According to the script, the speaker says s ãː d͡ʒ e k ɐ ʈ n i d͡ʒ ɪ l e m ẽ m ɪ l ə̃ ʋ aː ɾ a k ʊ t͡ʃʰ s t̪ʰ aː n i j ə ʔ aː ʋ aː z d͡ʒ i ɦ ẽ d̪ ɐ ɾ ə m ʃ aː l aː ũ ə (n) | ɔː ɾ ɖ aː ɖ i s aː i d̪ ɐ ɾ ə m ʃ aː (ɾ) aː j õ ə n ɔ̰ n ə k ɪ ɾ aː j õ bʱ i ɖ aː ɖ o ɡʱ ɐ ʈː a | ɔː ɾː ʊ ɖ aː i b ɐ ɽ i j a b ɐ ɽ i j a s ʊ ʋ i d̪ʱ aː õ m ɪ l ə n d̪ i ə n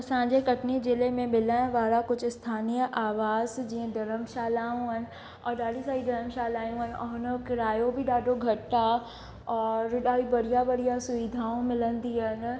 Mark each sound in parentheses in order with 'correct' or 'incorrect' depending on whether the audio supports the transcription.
correct, incorrect: l

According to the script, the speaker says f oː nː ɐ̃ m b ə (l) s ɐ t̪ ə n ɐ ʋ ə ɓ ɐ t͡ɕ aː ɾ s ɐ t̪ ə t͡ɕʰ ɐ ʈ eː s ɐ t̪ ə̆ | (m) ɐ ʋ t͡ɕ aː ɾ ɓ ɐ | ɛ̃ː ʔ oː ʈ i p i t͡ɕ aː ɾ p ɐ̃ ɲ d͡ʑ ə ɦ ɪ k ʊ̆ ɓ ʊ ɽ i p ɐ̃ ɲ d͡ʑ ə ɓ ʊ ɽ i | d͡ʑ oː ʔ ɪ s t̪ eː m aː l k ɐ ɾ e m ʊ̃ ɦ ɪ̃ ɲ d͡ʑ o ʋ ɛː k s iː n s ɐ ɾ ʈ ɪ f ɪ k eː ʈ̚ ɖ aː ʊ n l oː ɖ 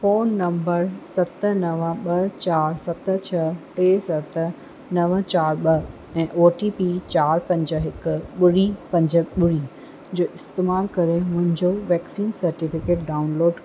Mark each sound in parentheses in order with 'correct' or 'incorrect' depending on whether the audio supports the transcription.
incorrect: ɾ, incorrect: n

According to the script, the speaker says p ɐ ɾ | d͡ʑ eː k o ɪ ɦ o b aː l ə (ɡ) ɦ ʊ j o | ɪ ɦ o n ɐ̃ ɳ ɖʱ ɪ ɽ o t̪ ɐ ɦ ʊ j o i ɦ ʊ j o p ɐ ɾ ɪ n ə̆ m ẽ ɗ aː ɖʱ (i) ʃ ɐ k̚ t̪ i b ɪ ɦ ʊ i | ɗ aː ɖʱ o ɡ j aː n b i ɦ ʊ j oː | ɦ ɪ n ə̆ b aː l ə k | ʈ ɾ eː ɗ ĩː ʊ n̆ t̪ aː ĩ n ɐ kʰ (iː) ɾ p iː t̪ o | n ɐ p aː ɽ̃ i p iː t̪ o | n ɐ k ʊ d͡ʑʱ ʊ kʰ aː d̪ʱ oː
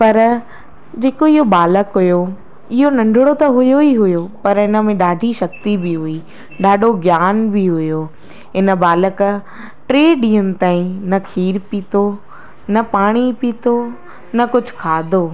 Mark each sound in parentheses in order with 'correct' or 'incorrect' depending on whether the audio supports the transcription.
incorrect: k, correct, correct

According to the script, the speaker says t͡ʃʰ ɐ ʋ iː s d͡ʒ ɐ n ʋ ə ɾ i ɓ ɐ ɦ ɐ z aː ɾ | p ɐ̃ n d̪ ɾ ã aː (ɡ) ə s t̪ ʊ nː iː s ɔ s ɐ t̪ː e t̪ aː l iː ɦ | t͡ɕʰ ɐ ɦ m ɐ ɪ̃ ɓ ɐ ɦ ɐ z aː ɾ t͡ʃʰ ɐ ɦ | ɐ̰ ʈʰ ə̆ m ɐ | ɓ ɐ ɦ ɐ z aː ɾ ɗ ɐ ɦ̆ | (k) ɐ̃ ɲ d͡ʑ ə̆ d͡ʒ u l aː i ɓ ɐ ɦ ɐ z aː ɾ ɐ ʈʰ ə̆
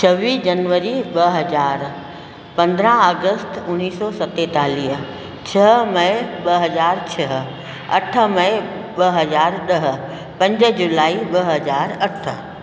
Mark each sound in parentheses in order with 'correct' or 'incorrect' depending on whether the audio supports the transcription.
correct, incorrect: p

